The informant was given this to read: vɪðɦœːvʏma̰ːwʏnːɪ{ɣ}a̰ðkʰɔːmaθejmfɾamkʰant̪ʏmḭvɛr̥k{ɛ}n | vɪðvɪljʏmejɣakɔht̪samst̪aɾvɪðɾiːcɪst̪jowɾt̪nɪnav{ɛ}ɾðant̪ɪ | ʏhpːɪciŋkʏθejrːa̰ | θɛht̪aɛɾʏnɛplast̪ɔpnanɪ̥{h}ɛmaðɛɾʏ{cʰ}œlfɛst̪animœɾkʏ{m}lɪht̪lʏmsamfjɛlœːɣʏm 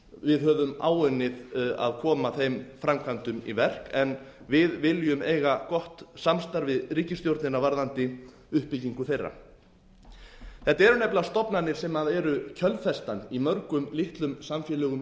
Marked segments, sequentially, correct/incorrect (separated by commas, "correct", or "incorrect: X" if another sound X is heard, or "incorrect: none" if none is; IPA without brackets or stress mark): incorrect: ð, correct, incorrect: a, incorrect: s, correct, correct